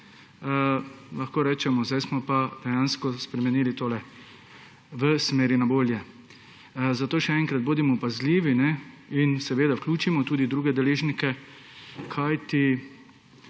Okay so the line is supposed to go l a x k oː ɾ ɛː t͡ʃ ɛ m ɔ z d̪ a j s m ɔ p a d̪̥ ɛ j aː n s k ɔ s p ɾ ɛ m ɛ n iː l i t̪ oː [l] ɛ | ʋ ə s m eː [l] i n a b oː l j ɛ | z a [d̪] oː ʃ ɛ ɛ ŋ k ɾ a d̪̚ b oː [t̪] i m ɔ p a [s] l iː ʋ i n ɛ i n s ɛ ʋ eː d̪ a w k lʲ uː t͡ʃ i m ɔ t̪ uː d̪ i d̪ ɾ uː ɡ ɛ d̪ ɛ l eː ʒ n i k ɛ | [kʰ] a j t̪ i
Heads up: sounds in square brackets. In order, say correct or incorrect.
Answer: correct, incorrect: ɾ, incorrect: t̪, incorrect: d̪, incorrect: z, correct

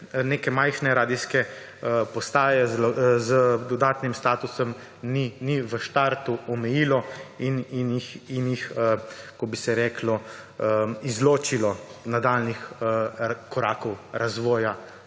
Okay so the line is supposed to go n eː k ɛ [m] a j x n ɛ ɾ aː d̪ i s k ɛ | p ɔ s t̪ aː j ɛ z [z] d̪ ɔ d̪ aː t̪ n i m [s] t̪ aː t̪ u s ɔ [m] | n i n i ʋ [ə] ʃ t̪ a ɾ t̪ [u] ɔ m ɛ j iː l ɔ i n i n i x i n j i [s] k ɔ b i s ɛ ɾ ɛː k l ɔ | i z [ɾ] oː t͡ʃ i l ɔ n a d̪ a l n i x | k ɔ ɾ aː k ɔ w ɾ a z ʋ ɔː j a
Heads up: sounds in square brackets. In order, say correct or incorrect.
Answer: correct, correct, correct, correct, correct, correct, incorrect: x, incorrect: l

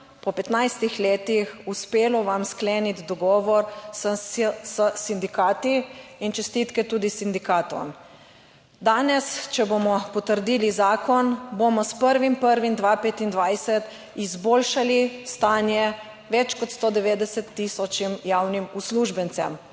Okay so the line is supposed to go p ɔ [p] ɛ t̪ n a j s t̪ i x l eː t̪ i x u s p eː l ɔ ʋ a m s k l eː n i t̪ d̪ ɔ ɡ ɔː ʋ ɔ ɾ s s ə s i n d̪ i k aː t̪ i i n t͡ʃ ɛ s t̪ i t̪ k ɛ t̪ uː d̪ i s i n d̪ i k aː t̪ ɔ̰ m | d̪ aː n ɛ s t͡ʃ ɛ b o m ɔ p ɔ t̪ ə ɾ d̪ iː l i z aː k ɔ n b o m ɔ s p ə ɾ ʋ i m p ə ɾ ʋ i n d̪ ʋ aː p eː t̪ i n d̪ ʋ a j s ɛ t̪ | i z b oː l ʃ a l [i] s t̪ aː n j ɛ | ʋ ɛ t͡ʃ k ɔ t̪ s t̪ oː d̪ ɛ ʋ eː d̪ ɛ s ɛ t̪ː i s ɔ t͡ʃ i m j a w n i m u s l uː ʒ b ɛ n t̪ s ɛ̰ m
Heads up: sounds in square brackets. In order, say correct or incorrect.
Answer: correct, correct

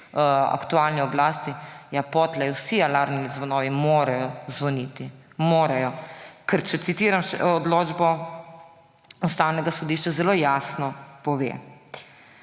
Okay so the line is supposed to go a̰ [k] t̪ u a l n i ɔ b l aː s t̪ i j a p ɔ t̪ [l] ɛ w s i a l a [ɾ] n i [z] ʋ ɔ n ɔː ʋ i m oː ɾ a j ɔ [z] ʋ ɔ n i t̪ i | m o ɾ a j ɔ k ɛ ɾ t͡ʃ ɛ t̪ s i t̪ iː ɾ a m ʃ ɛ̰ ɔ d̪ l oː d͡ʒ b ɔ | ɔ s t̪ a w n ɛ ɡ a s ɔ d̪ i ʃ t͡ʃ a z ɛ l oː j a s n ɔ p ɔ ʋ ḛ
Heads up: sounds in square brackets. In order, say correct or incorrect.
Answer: correct, correct, correct, correct, correct

